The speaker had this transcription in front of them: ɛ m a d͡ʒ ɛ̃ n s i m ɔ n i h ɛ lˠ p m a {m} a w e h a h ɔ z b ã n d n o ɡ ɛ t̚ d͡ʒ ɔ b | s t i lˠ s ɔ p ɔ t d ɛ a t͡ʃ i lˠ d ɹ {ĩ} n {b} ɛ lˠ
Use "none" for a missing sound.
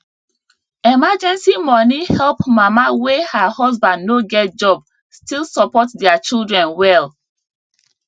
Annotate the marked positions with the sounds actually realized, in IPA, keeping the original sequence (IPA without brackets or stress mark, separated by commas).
m, ɛ̃, w